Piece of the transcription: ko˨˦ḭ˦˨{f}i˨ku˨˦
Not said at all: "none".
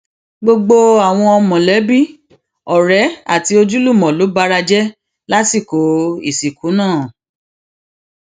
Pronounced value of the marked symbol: s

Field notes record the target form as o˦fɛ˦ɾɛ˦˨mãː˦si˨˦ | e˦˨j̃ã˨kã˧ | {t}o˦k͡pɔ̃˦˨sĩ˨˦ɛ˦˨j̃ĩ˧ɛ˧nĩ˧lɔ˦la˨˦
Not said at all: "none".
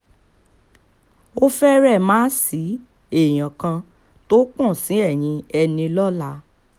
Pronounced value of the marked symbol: t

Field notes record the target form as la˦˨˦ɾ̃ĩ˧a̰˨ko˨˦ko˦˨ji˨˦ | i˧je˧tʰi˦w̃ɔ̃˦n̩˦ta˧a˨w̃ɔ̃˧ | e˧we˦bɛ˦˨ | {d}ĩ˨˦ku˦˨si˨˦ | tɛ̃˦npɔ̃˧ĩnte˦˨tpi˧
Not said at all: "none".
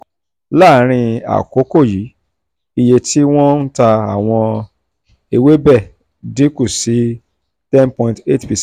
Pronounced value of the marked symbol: d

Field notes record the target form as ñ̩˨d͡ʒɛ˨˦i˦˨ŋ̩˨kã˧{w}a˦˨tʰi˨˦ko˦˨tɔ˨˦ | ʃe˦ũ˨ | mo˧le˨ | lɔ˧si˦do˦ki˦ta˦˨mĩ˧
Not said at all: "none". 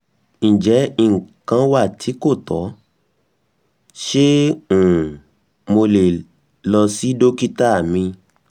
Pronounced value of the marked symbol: w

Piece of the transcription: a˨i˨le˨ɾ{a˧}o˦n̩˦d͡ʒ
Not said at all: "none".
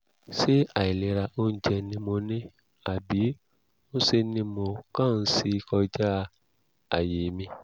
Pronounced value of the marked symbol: a˧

